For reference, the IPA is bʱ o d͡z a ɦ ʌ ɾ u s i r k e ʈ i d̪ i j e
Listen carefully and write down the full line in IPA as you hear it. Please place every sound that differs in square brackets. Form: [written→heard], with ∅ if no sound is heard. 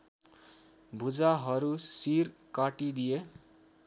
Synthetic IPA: bʱ [o→u] d͡z a ɦ ʌ ɾ u s i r k [e→a] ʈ i d̪ i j e